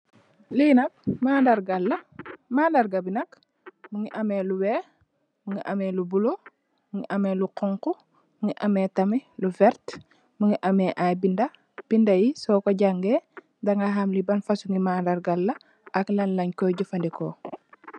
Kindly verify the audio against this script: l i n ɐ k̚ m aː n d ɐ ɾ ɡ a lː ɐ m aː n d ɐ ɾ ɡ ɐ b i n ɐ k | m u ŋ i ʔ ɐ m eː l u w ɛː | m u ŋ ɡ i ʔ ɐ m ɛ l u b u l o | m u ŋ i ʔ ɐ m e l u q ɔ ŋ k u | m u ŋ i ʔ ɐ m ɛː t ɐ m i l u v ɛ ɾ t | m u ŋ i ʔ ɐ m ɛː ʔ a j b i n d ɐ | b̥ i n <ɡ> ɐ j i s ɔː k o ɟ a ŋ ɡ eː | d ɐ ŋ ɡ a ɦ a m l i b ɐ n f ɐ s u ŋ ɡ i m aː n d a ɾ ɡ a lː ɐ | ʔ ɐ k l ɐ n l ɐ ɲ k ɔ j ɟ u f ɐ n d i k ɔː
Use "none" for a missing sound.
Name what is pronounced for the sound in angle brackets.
d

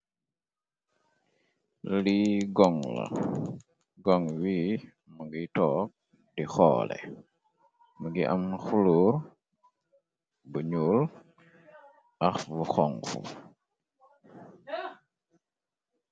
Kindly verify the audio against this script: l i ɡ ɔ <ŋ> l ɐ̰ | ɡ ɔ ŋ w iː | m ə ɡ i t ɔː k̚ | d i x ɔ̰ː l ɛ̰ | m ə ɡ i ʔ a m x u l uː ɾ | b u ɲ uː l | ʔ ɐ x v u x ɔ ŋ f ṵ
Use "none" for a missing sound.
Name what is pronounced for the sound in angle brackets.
ŋ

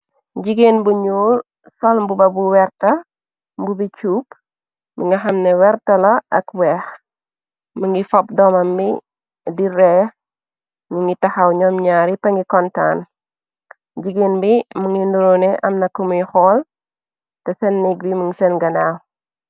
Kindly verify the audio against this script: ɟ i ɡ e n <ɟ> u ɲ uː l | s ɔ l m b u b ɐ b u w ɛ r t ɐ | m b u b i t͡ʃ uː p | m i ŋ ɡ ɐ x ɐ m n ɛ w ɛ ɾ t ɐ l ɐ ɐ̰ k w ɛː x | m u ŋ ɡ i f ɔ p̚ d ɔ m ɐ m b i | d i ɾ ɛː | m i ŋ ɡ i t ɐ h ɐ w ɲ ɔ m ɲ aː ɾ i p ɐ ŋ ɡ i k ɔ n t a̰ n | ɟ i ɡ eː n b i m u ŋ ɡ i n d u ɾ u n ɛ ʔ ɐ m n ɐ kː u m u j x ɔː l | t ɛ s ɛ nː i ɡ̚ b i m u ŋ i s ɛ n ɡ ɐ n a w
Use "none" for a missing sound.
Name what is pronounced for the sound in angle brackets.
b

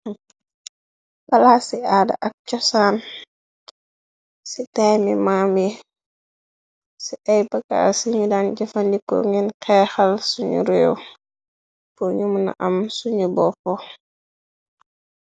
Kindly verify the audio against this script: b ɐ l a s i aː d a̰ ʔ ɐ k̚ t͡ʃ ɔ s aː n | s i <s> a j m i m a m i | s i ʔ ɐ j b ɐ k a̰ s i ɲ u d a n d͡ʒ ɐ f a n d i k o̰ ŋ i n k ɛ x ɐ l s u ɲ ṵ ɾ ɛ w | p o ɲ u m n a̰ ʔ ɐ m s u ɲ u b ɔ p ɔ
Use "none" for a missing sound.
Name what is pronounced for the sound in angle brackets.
t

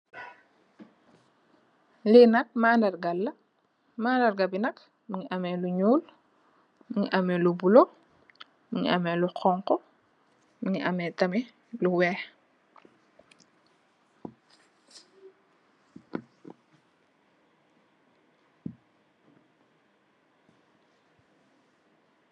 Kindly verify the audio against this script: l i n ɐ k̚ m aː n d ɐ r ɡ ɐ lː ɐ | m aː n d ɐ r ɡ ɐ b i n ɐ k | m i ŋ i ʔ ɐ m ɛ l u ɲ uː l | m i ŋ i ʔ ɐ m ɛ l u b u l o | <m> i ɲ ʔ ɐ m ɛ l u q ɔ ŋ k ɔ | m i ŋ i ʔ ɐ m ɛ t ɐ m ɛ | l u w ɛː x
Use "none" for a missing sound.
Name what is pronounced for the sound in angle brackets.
m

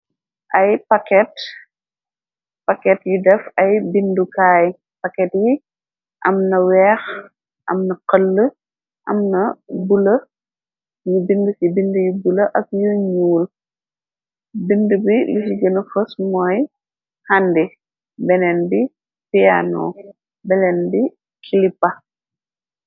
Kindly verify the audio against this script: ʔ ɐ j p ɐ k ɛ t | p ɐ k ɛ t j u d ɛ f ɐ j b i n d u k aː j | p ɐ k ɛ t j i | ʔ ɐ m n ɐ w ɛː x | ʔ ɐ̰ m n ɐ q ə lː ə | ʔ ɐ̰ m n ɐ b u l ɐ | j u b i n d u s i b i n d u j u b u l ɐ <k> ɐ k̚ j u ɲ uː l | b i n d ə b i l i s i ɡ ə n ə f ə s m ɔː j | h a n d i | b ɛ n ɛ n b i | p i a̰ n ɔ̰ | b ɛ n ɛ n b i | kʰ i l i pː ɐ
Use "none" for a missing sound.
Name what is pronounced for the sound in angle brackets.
ʔ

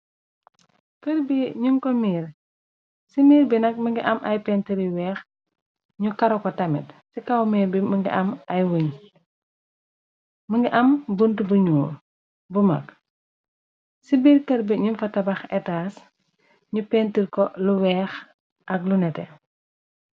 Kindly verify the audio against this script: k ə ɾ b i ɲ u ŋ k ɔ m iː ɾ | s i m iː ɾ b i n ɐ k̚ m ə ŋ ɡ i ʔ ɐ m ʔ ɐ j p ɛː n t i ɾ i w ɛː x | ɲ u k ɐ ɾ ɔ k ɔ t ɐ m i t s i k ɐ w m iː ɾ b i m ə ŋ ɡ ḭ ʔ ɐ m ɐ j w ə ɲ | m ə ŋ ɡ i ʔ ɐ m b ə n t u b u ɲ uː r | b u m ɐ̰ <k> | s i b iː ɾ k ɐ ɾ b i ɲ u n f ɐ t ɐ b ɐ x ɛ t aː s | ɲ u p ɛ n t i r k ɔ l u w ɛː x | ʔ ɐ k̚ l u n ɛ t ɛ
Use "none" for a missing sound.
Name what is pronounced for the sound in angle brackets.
k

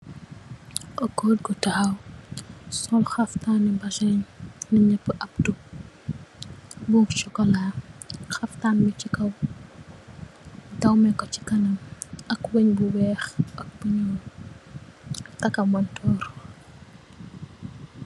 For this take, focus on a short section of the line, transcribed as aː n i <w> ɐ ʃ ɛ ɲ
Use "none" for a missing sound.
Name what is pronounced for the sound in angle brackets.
b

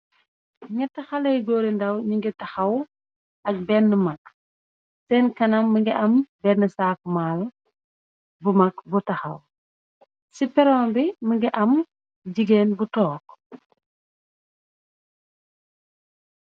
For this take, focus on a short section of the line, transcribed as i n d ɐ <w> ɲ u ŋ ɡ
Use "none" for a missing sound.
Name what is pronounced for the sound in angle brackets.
w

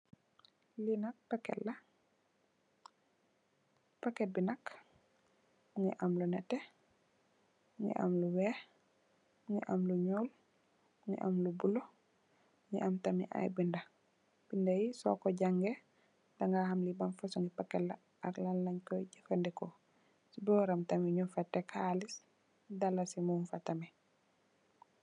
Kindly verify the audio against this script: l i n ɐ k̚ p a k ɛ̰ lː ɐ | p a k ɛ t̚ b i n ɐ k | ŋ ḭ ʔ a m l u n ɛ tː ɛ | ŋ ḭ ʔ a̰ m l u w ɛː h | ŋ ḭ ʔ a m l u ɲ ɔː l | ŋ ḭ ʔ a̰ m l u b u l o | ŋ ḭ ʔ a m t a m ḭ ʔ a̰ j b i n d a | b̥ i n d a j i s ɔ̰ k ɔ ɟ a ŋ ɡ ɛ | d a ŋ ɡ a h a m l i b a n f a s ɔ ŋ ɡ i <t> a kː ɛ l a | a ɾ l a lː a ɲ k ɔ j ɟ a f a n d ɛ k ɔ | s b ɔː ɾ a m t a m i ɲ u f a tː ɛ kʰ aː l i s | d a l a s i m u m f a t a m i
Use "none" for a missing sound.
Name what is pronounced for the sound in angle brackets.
p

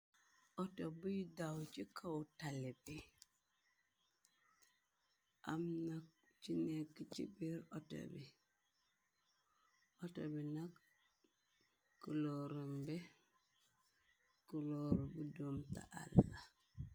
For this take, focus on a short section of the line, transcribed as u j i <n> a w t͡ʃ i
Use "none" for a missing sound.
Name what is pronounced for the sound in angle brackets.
d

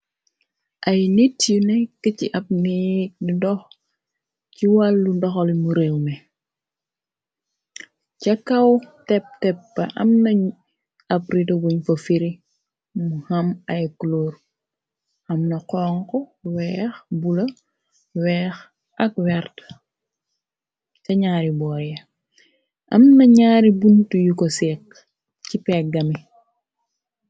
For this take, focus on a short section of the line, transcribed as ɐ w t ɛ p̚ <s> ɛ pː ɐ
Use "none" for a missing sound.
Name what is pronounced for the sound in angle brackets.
t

